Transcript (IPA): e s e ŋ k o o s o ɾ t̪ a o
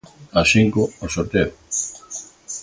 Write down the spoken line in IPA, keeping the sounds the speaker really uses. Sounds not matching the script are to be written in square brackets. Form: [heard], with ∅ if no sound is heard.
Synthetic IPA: [a] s [i] ŋ k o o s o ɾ t̪ [e] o